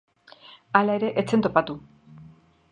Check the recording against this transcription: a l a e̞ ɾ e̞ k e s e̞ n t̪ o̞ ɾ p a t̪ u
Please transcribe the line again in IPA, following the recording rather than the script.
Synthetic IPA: a l a e̞ ɾ e̞ ʔ e t͡s e̞ n t̪ o̞ p a t̪ u

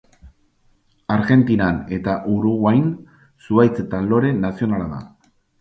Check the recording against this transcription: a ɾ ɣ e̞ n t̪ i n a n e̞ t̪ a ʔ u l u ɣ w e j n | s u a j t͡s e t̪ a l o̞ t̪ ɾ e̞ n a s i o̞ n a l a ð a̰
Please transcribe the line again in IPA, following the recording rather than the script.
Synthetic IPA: a ɾ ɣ e̞ n t̪ i n a n e̞ t̪ a ʔ u ɾ u ɣ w a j n | s u a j t͡s e t̪ a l o̞ ɾ e̞ n a s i o̞ n a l a ð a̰

